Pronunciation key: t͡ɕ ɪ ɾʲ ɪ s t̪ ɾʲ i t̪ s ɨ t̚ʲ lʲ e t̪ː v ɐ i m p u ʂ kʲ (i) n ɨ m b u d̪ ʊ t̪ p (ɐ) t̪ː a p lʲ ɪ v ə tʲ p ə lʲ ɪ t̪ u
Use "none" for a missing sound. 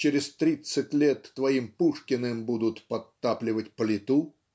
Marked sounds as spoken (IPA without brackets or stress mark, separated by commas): ɪ, ɐ